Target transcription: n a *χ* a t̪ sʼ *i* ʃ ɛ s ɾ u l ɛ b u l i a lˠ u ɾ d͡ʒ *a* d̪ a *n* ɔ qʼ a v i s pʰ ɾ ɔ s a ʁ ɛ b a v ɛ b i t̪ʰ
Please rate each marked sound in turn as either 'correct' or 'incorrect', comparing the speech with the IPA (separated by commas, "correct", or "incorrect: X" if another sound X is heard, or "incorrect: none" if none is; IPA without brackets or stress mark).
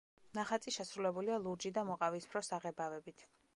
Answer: correct, correct, incorrect: i, incorrect: m